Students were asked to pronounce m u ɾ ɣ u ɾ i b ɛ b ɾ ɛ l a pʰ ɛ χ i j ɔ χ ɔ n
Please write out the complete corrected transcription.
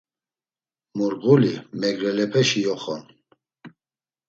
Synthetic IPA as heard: m u ɾ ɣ u l i m ɛ ɡ ɾ ɛ l ɛ pʰ ɛ ʃ i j ɔ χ ɔ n